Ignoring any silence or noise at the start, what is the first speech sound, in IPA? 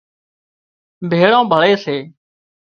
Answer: bʱ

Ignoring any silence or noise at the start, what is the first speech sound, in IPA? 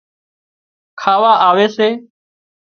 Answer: kʰ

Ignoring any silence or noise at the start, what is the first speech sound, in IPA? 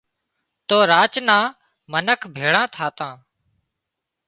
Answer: t̪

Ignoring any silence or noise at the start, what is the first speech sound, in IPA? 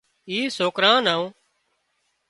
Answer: iː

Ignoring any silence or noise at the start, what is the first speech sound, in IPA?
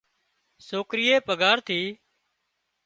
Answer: s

